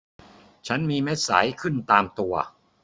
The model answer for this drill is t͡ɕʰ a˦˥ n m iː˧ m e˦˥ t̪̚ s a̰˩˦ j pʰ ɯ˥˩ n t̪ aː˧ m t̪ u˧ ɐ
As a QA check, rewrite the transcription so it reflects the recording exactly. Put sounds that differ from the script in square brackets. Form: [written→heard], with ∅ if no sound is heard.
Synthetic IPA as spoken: t͡ɕʰ a˦˥ n m iː˧ m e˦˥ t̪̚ s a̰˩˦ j [pʰ→kʰ] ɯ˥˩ n t̪ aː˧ m t̪ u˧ ɐ